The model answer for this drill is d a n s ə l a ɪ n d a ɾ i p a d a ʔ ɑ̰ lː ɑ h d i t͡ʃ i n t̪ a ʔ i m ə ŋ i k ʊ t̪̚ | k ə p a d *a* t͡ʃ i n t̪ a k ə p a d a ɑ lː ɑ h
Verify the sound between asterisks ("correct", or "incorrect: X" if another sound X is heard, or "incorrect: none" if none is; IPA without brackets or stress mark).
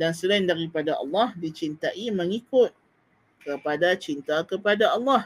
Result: correct